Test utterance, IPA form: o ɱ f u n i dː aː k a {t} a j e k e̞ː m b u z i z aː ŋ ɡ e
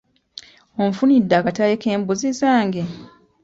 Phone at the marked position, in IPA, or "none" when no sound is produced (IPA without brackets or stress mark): t